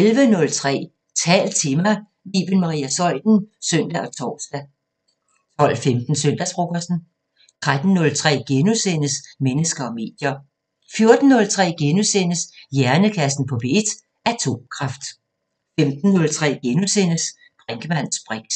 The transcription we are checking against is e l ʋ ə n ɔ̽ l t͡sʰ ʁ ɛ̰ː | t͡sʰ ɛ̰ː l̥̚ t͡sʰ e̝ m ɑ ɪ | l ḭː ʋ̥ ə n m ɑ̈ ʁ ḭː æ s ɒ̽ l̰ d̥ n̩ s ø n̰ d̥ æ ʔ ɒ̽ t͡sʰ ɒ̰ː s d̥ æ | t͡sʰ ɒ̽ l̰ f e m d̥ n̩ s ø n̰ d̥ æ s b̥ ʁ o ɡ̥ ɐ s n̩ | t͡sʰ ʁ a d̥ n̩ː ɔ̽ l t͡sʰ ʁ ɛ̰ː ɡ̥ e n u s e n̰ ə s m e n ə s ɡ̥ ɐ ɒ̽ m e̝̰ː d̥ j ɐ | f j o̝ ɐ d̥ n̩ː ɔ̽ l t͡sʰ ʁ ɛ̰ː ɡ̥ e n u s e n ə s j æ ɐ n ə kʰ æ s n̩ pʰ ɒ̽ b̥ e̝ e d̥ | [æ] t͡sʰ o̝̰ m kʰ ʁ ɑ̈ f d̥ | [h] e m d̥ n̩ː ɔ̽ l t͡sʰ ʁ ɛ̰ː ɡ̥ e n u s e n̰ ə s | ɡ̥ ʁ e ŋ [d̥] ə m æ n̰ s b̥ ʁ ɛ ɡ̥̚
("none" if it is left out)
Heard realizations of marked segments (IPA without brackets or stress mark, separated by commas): æ, f, ɡ̥